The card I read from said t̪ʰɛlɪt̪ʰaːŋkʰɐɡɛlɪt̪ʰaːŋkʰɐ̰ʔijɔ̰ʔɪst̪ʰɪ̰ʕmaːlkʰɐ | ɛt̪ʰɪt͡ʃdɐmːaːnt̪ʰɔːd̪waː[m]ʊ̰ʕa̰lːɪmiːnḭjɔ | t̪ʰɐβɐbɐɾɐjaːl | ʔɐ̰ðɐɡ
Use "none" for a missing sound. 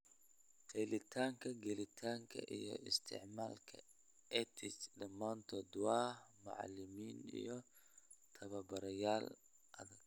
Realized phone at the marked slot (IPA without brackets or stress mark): m